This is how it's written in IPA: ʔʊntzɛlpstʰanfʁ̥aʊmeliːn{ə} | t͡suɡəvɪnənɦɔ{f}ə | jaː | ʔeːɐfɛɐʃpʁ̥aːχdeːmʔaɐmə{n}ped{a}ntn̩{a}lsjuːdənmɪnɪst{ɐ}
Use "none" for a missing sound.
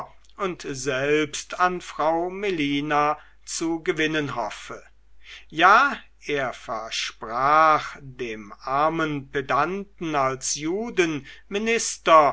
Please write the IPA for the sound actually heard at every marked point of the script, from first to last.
a, f, n, a, a, ɐ

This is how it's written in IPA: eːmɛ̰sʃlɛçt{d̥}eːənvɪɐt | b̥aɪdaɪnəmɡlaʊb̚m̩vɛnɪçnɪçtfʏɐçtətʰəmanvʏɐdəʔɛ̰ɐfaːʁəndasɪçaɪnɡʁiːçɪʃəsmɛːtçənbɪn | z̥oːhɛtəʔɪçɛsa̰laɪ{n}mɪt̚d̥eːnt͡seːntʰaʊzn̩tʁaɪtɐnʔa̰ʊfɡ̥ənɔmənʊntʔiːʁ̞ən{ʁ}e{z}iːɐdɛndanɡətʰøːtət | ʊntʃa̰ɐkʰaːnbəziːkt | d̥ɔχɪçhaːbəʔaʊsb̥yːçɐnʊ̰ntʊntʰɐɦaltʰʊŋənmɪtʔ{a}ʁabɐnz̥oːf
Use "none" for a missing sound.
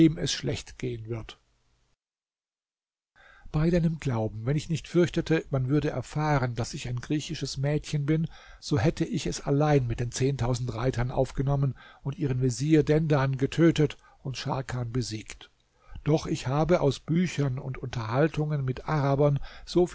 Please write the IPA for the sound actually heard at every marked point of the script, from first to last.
ɡ̥, n, v, z, a

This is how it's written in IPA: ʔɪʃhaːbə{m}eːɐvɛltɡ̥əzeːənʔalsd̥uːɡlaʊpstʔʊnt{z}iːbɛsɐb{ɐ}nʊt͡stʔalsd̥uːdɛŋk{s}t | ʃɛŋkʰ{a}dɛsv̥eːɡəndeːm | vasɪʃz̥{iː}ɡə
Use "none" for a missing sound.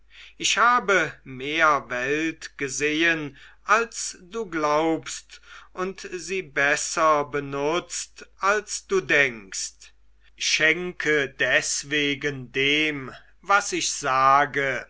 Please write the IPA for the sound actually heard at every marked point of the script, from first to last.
m, z, ə, s, ə, aː

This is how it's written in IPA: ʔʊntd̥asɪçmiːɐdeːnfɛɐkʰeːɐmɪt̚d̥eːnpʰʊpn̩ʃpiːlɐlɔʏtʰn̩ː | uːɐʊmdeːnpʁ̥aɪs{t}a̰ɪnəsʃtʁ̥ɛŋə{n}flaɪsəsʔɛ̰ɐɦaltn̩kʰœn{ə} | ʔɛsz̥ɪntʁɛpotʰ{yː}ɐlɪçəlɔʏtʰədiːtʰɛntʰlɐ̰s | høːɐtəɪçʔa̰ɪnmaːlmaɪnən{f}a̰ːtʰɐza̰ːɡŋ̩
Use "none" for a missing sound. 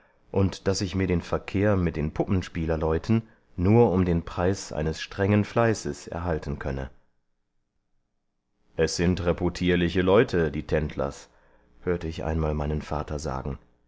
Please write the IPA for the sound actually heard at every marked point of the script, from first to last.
ʔ, n, ə, iː, f

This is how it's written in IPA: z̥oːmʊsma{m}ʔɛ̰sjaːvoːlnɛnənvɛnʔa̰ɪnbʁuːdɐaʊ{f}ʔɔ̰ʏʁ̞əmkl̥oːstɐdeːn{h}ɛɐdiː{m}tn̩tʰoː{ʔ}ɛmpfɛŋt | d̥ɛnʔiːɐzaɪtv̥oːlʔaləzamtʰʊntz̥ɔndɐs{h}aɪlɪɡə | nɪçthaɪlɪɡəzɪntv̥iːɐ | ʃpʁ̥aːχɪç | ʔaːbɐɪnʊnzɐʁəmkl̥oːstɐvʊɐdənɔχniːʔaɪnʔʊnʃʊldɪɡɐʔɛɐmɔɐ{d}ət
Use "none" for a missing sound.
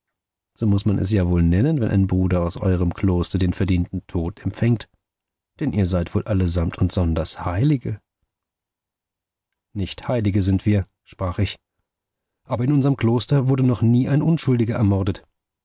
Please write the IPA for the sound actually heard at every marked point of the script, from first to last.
n, s, f, n, t, h, d

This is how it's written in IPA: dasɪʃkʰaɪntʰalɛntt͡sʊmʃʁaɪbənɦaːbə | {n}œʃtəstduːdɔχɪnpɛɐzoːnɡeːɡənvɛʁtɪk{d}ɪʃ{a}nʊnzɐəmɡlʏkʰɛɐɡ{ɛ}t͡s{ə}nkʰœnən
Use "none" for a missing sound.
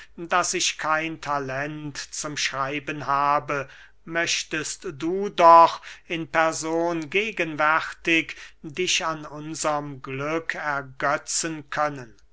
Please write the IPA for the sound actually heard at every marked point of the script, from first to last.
m, d, a, œ, ə

